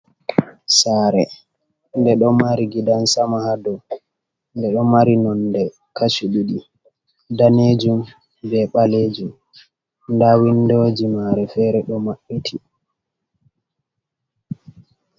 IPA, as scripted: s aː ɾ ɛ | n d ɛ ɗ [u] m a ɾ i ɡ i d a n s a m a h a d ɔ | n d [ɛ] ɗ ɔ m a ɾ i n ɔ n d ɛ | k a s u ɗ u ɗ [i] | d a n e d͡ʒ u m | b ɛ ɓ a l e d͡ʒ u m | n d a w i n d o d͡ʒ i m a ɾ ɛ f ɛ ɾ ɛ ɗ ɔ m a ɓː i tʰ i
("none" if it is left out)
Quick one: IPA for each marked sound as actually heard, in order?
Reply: ɔ, ɛ, i

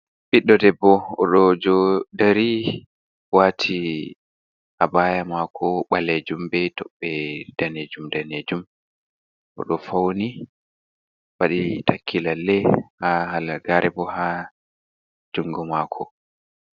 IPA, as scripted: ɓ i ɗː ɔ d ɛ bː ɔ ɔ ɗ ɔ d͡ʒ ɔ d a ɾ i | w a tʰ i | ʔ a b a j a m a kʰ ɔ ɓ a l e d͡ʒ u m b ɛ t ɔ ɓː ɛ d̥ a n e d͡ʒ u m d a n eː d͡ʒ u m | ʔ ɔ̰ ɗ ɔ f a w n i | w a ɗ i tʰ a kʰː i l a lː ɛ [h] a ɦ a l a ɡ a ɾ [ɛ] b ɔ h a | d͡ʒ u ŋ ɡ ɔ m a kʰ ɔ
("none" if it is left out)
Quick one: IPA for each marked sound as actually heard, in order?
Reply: h, ɛ

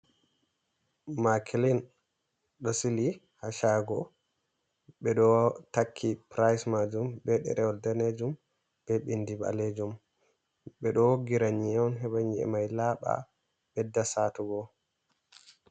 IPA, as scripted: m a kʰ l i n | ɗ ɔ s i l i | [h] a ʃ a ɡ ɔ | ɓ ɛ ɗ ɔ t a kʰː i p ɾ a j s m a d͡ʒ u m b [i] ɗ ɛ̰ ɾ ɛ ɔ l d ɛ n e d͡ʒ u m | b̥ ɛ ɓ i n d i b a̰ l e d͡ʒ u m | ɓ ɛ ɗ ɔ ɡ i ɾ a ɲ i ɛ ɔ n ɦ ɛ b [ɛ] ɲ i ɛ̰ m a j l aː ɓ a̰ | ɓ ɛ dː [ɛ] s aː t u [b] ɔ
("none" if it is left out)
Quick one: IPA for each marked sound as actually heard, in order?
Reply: h, ɛ, a, a, ɡ

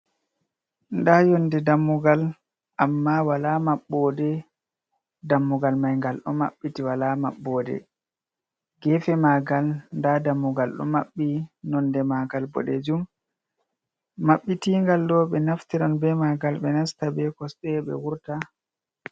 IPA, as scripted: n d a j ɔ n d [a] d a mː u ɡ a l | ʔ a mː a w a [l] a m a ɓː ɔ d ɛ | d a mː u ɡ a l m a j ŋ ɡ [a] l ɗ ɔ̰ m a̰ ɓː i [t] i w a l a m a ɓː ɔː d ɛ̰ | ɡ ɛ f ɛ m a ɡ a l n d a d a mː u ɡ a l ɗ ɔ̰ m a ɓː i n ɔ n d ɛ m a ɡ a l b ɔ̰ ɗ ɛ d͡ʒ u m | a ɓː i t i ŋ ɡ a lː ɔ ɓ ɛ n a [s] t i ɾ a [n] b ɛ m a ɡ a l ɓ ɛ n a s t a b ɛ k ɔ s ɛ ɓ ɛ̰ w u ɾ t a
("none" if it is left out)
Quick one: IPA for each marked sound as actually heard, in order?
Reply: ɛ, l, a, t, f, n

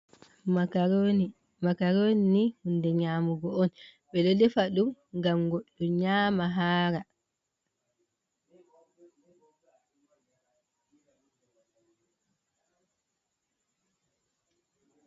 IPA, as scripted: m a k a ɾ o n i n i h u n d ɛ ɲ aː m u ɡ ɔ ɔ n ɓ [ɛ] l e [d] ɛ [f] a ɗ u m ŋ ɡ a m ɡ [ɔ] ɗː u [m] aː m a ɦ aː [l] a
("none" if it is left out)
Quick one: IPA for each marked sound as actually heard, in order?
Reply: ɛ, d, f, o, ɲ, ɾ

